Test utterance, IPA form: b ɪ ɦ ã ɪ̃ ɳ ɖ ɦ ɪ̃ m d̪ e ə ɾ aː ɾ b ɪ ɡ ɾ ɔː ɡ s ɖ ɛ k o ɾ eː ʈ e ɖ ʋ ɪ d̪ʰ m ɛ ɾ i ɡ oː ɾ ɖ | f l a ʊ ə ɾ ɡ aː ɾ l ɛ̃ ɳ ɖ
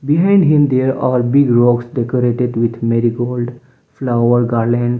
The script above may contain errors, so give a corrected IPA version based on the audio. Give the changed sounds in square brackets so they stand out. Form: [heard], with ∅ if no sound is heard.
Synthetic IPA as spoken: b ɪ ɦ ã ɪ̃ ɳ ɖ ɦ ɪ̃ m d̪ e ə ɾ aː ɾ b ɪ ɡ ɾ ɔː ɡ s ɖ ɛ k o ɾ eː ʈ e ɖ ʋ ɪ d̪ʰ m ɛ ɾ i ɡ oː [l] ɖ | f l a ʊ ə ɾ ɡ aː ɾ l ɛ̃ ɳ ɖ